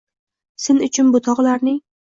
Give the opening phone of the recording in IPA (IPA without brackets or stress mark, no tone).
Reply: s